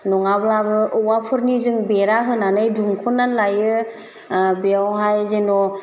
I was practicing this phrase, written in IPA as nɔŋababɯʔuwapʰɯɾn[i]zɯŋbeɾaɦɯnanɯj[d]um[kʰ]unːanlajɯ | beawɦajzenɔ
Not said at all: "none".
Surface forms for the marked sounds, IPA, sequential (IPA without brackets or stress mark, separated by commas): i, d, kʰ